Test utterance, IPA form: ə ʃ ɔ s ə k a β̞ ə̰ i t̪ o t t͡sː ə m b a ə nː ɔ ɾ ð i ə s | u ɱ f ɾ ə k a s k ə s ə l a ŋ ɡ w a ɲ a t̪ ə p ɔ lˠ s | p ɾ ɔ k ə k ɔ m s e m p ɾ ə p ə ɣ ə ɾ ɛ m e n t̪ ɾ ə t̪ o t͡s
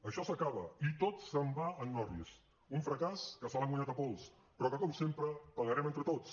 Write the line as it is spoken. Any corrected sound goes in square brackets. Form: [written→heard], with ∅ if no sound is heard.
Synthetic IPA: ə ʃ ɔ s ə k a β̞ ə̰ i t̪ o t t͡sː ə m b a ə nː ɔ ɾ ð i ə s | u ɱ f ɾ ə k a s k ə s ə l a ŋ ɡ w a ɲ a t̪ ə p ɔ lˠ s | p ɾ ɔ k ə k ɔ m s e m p ɾ ə p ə ɣ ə ɾ ɛ m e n t̪ ɾ ə t̪ o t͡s